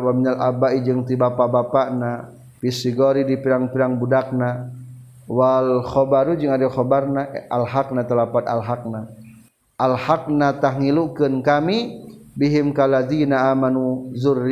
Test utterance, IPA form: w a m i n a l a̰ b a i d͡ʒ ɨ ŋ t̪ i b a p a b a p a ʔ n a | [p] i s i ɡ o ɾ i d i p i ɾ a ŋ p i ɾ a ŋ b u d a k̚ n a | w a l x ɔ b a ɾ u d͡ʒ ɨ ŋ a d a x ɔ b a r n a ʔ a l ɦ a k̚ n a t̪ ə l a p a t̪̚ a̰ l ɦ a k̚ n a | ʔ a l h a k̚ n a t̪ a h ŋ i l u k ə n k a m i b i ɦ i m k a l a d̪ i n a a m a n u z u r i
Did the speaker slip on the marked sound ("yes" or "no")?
no